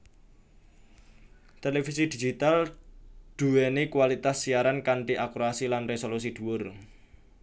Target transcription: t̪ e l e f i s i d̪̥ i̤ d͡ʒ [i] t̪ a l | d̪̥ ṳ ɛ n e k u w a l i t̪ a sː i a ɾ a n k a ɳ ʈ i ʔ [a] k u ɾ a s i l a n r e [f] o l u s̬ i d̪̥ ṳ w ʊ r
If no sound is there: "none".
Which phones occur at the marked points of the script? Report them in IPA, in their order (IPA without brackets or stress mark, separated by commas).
i, a, s